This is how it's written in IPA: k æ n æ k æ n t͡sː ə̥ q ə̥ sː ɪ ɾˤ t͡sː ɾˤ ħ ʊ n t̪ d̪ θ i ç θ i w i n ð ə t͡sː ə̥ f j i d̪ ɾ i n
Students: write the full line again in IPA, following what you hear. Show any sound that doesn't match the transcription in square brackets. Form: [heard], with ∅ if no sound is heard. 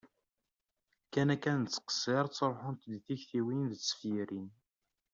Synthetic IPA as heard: k æ n æ k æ n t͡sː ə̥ q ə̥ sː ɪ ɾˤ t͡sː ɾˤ ħ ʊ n t̪ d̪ θ i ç θ i w i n ð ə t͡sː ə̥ f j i [∅] ɾ i n